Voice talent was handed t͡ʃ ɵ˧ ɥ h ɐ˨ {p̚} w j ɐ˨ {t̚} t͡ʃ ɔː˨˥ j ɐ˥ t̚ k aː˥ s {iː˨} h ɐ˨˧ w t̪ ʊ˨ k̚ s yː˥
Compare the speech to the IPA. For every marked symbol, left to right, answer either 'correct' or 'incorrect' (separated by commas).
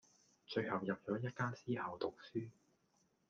incorrect, incorrect, incorrect